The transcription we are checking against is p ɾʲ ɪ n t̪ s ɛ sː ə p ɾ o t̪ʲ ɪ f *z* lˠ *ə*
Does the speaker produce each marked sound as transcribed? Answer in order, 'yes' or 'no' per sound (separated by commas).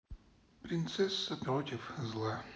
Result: yes, no